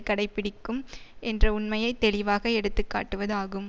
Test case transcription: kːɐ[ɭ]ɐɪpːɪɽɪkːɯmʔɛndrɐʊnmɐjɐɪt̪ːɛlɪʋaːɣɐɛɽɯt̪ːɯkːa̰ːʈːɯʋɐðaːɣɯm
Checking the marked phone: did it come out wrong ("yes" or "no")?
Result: yes